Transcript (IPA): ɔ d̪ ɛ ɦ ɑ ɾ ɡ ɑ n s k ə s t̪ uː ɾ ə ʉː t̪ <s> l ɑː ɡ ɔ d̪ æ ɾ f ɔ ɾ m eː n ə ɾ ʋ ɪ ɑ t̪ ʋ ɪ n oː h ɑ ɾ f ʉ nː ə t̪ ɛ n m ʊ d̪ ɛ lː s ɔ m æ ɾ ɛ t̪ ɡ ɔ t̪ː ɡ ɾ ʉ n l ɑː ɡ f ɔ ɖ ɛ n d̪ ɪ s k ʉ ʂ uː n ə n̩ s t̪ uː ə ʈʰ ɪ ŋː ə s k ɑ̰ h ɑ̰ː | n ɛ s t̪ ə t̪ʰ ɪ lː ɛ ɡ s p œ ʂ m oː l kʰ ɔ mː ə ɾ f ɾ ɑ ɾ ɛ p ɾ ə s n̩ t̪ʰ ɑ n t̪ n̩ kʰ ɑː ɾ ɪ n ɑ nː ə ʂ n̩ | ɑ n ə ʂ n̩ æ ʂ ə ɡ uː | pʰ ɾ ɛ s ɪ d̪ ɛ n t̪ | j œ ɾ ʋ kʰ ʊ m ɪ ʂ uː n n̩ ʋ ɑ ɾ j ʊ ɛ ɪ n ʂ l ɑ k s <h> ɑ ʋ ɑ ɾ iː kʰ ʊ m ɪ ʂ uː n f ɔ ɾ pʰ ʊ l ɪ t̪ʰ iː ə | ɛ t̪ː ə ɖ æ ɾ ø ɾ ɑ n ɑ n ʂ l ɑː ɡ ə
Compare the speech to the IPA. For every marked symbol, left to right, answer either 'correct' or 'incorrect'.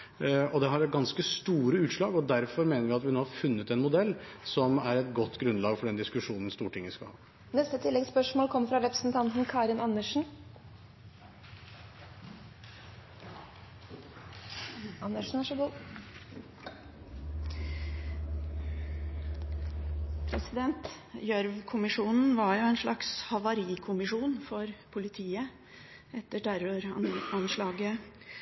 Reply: incorrect: ʂ, correct

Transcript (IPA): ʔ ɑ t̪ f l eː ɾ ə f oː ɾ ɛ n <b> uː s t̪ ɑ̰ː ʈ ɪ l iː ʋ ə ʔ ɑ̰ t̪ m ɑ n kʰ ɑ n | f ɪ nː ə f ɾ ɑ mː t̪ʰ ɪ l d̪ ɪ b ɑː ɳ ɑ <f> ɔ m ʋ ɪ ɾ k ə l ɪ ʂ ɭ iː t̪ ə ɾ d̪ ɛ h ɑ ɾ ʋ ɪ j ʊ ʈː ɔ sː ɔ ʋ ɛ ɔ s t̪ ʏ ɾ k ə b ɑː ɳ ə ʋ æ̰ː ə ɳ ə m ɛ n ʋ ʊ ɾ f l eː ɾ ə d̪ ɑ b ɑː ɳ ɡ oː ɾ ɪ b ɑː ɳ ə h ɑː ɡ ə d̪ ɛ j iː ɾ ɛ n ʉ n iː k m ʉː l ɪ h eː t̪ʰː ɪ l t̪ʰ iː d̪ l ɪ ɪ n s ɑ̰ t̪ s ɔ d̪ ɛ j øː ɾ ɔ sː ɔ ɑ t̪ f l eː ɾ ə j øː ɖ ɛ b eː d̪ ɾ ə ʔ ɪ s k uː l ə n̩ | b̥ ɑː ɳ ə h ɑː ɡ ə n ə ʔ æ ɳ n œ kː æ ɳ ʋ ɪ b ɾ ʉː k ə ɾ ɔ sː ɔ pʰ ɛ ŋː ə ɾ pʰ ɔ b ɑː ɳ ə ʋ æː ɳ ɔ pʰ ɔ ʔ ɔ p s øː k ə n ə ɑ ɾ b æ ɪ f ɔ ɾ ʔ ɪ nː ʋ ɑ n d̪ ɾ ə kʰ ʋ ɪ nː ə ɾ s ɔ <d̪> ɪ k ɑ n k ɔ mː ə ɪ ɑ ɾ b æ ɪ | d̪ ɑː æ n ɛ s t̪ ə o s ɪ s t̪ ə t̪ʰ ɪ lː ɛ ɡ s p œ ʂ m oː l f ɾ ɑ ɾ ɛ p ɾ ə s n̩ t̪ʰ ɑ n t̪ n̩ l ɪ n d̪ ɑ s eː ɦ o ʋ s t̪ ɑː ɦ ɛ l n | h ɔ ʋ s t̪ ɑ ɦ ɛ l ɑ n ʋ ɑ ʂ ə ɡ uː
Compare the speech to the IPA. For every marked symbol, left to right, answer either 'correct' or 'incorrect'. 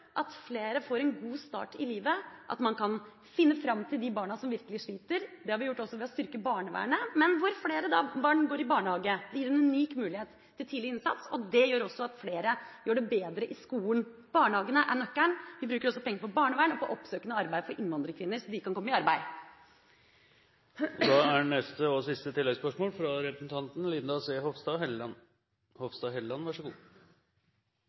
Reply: incorrect: ɡ, incorrect: s, correct

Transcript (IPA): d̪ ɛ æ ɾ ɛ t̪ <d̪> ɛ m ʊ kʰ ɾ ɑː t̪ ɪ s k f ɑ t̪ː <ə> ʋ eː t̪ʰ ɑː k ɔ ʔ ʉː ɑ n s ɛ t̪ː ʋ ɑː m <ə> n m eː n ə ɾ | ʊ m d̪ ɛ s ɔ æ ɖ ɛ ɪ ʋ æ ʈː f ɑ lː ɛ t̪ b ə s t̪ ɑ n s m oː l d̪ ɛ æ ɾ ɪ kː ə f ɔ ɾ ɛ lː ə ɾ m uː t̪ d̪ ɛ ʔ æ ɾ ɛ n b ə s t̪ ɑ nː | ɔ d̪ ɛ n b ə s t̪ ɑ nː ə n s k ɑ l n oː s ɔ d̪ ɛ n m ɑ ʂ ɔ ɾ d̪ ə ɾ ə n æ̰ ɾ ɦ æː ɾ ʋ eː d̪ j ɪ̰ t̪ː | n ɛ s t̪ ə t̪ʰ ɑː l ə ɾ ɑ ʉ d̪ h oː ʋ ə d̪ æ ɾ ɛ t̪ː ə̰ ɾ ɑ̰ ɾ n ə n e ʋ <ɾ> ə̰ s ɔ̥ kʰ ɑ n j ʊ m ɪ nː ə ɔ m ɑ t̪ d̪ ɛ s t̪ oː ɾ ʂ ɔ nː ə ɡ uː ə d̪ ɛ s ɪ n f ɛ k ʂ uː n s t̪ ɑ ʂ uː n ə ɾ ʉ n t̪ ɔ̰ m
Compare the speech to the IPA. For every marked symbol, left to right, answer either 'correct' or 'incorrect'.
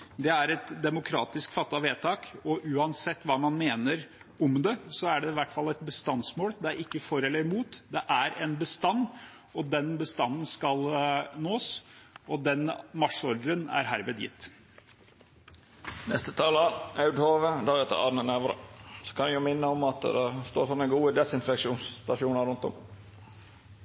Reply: correct, incorrect: ɑ, incorrect: ɑ, correct

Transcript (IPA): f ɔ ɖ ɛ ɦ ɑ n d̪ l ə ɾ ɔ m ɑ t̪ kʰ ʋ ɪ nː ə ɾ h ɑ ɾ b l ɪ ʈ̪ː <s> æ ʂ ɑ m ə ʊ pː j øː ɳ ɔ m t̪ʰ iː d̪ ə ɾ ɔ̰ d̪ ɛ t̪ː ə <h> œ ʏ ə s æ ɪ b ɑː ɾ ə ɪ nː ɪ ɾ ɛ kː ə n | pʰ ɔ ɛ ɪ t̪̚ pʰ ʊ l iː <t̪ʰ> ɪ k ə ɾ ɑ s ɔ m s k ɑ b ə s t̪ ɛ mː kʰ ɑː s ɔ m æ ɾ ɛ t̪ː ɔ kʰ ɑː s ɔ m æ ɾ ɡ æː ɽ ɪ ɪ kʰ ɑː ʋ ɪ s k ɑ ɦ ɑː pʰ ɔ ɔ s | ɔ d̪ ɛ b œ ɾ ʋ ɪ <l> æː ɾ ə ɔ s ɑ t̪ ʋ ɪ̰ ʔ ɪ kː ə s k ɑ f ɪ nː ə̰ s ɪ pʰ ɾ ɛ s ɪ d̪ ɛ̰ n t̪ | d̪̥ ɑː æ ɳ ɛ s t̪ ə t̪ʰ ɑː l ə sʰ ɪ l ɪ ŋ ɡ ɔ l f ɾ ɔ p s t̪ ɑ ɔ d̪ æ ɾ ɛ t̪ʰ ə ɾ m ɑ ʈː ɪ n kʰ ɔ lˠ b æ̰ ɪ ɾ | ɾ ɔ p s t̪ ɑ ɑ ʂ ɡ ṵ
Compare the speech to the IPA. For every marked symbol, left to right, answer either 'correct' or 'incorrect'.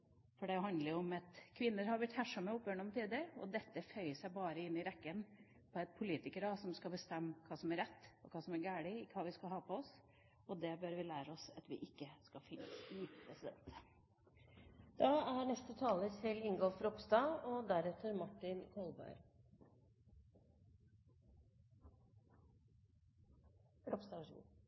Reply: incorrect: h, incorrect: f, incorrect: t̪, correct

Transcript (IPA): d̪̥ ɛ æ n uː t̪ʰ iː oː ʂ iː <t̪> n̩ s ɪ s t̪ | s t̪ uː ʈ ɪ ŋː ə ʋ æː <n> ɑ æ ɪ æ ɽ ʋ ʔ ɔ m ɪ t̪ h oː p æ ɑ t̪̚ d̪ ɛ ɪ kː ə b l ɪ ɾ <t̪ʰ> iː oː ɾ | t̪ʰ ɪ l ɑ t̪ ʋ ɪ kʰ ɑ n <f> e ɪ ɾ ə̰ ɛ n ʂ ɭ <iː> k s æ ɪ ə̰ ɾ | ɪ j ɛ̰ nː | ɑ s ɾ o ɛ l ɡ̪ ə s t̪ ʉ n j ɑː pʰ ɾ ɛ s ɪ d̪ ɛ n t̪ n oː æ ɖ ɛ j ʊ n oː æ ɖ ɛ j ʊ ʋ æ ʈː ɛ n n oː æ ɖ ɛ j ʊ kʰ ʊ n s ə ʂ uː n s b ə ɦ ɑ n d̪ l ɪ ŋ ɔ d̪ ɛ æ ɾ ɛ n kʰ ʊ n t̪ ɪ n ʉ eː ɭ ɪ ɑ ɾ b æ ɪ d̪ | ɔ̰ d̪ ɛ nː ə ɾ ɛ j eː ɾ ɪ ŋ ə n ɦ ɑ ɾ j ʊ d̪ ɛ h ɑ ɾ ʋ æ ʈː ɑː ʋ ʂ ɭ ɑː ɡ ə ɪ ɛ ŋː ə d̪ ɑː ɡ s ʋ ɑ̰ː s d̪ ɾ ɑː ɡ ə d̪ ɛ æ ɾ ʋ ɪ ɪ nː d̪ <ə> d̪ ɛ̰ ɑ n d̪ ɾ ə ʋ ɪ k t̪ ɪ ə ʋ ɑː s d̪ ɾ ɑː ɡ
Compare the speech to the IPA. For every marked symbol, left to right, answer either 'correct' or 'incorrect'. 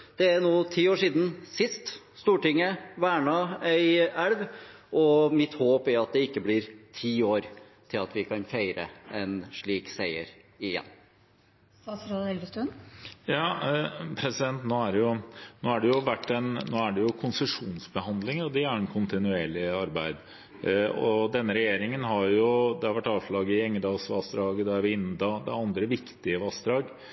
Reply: incorrect: d̪, incorrect: ɳ, correct, correct, correct, incorrect: ɑ

